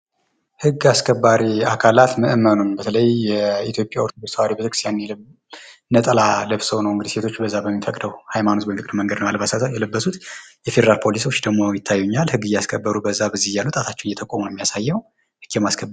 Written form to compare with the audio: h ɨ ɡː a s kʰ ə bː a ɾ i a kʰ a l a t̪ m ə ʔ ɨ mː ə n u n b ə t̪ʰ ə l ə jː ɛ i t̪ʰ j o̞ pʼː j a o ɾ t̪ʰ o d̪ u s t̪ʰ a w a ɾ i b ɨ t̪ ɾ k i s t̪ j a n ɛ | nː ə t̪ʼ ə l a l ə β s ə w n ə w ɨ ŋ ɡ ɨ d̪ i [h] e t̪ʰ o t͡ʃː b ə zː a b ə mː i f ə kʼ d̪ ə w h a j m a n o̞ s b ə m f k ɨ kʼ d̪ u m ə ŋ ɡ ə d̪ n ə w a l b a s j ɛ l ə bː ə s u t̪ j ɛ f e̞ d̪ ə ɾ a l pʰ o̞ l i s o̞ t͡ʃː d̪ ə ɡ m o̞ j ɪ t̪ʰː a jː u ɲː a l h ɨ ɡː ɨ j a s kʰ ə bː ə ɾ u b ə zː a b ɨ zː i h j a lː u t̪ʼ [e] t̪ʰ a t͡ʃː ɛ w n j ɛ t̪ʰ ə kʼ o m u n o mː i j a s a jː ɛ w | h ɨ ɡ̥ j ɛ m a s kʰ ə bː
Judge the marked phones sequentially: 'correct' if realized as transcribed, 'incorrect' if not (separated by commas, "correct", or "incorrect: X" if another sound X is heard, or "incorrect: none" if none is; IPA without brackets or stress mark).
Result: incorrect: s, incorrect: a